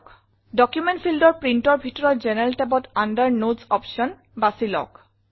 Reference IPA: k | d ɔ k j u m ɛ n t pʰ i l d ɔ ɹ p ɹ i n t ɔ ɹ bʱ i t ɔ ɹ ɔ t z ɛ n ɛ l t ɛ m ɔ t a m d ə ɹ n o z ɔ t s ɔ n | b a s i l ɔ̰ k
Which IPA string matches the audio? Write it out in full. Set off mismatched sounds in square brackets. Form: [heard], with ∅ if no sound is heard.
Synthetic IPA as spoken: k | d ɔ k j u m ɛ n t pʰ i l d ɔ ɹ p ɹ i n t ɔ ɹ bʱ i t ɔ ɹ ɔ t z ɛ n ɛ l t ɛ [b] ɔ t a [n] d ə ɹ n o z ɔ [p] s ɔ n | b a s i l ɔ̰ k